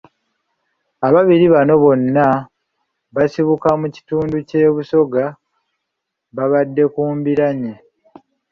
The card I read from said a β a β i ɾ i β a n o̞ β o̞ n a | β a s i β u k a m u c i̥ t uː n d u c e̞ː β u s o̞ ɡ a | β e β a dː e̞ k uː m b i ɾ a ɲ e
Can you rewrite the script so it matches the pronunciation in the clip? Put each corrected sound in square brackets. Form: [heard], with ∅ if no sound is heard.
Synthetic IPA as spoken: a β a β i ɾ i β a n o̞ β o̞ [nː] a | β a s i β u k a m u c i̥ t uː n d u c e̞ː β u s o̞ ɡ a | β [a] β a dː e̞ k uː m b i ɾ a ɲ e